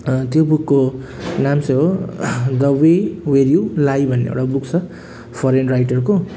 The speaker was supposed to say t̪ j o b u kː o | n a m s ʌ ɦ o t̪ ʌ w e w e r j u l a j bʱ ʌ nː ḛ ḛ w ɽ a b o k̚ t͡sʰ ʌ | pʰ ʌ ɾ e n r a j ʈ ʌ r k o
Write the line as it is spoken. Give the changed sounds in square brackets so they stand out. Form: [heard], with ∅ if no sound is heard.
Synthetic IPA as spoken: t̪ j o b u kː o | n a m s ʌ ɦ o [d̪] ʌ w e w e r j u l a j bʱ ʌ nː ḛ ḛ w ɽ a b [u] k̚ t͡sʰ ʌ | pʰ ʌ ɾ e n r a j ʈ ʌ r k o